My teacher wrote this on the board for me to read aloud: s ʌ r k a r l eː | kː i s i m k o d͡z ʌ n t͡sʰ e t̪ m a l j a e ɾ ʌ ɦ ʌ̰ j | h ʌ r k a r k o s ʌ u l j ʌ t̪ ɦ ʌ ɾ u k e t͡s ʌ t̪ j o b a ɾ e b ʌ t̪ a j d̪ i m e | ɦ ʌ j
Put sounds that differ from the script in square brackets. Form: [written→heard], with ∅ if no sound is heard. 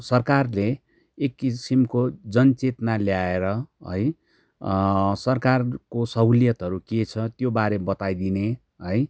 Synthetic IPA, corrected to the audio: s ʌ r k a r l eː | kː i s i m k o d͡z ʌ n [t͡sʰ→t͡s] e t̪ [m→n] a l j a e ɾ ʌ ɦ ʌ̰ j | [h→s] ʌ r k a r k o s ʌ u l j ʌ t̪ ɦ ʌ ɾ u k e [t͡s→t͡sʰ] ʌ t̪ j o b a ɾ e b ʌ t̪ a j d̪ i [m→n] e | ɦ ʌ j